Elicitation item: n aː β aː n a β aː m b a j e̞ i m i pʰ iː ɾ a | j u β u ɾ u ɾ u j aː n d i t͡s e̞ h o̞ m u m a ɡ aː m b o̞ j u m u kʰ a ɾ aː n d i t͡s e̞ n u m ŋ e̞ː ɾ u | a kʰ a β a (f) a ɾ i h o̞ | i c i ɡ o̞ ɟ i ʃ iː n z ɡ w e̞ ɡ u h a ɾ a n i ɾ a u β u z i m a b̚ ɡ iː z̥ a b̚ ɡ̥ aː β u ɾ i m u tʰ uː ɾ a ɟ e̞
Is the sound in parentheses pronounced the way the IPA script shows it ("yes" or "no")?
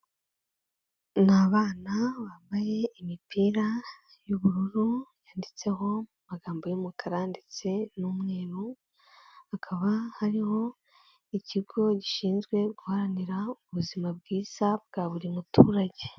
no